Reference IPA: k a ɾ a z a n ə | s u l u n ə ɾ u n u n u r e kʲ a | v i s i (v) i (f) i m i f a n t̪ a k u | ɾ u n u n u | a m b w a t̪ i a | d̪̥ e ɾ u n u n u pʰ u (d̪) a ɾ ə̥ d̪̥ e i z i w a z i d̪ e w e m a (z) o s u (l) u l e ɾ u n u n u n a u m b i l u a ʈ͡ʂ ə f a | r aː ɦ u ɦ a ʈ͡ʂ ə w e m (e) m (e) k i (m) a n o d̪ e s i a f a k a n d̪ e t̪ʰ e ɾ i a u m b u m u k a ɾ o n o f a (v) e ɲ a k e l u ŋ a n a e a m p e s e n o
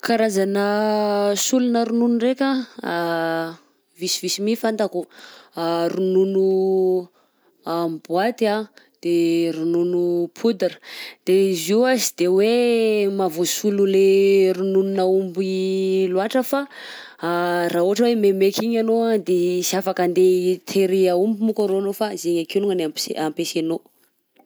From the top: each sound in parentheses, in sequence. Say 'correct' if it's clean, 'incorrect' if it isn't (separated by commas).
correct, incorrect, correct, incorrect, correct, correct, correct, incorrect, incorrect